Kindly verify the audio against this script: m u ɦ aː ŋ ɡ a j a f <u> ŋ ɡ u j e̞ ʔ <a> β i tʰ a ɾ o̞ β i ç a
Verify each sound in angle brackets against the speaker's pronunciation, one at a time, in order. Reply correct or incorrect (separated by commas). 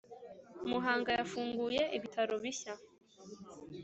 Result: incorrect, incorrect